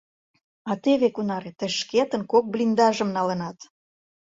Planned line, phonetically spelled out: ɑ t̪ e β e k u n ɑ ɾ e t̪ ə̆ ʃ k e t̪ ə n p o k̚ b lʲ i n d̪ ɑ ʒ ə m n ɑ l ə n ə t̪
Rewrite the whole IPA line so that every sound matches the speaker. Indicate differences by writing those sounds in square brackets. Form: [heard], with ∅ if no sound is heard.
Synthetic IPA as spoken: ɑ t̪ e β e k u n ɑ ɾ e t̪ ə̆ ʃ k e t̪ ə n [k] o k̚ b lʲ i n d̪ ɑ ʒ ə m n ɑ l ə n [ɑ] t̪